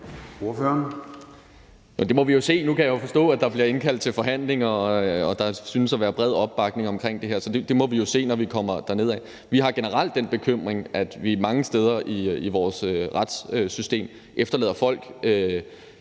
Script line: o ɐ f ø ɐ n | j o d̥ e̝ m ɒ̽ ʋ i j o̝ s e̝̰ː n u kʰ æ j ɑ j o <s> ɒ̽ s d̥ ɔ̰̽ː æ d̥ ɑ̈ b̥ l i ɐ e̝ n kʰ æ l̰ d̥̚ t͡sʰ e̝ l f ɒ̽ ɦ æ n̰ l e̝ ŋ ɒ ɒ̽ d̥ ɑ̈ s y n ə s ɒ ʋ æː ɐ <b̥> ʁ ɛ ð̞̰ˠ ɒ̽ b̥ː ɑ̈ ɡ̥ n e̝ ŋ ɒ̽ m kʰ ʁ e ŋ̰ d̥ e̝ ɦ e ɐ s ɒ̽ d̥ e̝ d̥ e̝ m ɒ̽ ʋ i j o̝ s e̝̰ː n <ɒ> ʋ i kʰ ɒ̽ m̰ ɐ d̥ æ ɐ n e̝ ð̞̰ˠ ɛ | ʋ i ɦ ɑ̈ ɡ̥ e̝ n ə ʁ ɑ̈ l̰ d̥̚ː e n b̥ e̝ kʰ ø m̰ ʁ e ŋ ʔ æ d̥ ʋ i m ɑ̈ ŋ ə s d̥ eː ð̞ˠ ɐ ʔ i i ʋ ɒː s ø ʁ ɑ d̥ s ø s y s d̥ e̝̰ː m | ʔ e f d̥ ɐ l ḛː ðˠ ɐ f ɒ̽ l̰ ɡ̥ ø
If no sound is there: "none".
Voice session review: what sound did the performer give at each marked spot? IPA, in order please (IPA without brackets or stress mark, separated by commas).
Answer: f, b̥, ɒ